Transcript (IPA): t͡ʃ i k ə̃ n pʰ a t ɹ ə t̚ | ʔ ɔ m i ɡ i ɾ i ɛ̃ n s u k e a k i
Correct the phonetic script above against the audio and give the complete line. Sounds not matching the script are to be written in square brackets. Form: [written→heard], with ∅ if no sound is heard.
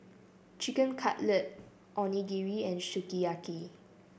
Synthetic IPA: t͡ʃ i k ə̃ n [pʰ→kʰ] a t [ɹ→l] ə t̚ | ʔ ɔ [m→n] i ɡ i [ɾ→ɹ] i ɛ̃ n [s→ʃ] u k [e→i] a k i